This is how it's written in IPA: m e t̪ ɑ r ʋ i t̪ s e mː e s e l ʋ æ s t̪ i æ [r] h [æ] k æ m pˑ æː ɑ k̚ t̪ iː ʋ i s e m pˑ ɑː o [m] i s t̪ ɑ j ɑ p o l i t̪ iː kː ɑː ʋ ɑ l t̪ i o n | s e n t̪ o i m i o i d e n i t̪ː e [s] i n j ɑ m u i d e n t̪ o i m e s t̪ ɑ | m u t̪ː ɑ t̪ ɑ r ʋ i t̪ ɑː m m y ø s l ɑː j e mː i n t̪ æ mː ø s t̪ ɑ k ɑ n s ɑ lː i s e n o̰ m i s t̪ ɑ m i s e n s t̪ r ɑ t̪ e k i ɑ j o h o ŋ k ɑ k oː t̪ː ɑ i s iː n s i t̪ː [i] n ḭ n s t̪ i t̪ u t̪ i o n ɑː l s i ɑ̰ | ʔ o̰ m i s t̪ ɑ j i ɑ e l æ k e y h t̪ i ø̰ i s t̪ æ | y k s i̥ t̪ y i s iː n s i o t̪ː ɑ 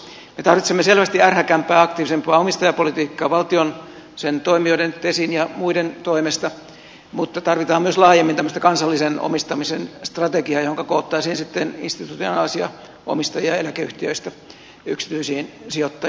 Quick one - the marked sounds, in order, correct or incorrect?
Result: correct, correct, correct, correct, incorrect

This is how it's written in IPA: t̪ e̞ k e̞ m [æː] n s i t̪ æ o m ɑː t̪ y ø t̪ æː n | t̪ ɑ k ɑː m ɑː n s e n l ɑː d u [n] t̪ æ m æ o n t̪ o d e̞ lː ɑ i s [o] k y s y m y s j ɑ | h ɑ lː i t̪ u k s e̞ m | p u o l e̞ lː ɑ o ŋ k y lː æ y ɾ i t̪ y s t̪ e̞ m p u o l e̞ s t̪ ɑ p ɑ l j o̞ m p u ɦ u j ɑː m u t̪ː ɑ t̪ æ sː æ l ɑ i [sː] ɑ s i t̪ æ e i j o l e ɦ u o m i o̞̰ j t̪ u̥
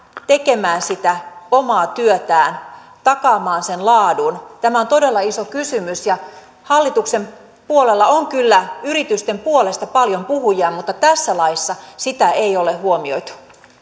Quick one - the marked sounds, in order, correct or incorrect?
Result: correct, correct, correct, correct

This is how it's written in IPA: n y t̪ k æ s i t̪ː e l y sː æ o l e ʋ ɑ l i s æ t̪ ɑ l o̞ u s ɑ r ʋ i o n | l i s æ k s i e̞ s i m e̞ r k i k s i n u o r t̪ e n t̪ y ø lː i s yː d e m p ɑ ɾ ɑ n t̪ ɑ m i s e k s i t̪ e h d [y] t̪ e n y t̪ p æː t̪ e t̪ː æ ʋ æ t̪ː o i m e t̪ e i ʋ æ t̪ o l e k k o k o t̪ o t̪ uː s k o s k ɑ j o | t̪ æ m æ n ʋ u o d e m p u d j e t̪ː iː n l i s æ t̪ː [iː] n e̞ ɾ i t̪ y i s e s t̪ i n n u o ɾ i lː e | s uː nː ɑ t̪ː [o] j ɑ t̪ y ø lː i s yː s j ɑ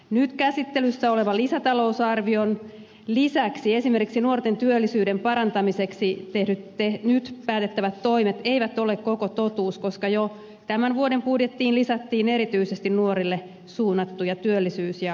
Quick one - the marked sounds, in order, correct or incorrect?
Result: correct, correct, incorrect

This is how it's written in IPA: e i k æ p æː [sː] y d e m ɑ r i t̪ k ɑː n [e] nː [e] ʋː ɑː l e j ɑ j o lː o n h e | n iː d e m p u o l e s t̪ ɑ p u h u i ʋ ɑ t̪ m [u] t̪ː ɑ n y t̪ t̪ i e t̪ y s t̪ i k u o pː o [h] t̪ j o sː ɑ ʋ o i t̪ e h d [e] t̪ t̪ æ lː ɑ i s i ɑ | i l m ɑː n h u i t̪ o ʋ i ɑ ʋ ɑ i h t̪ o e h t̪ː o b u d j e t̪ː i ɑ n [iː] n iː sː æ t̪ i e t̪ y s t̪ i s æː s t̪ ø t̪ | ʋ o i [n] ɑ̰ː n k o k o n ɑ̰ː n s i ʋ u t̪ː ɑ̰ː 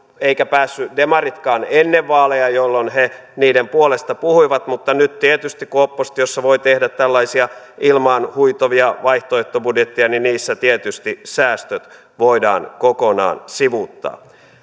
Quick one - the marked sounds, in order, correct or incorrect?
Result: correct, correct, correct, correct, incorrect, incorrect, incorrect, incorrect

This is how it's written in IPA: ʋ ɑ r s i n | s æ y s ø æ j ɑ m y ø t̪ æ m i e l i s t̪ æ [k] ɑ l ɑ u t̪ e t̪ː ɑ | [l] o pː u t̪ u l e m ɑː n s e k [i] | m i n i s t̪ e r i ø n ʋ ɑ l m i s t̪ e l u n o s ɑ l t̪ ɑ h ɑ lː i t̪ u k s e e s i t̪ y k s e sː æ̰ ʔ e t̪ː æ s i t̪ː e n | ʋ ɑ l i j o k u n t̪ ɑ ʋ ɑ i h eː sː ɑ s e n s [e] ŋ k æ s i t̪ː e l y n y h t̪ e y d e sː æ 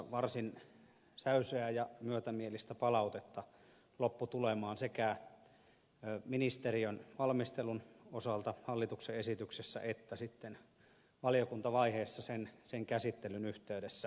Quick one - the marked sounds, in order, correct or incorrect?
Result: incorrect, correct, incorrect, correct

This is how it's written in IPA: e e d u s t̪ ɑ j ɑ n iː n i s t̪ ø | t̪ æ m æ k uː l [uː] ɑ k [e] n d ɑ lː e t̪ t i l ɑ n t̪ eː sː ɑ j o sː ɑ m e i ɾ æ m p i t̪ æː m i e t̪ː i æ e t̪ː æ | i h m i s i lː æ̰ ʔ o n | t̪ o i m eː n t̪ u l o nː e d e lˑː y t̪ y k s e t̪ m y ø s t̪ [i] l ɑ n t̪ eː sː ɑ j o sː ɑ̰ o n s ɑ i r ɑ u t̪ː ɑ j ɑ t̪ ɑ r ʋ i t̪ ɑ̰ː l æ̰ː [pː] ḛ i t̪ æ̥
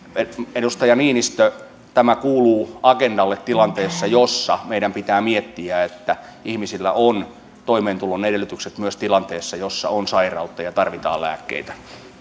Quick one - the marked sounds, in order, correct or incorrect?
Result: correct, correct, correct, incorrect

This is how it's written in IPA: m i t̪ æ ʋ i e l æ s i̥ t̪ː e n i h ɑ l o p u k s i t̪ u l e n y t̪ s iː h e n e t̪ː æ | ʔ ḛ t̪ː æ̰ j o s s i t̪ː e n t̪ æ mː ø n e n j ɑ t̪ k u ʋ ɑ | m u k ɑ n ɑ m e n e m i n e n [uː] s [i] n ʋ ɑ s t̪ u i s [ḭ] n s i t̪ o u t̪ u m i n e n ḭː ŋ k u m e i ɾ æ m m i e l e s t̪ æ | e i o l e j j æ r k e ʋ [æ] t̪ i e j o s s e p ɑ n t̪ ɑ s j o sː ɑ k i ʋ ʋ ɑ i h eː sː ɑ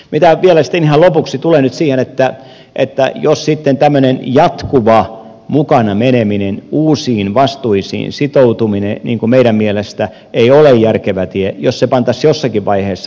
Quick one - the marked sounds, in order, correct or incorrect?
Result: correct, incorrect, incorrect, correct

